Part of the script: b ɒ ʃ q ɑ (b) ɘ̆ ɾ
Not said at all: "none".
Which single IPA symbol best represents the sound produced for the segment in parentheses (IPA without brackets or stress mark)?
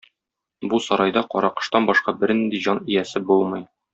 b